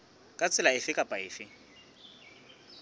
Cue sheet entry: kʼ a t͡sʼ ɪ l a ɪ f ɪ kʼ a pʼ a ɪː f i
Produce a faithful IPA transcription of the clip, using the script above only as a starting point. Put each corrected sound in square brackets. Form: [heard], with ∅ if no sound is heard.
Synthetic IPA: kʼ a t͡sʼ ɪ l a ɪ f ɪ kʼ a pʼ a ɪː f [ɪ]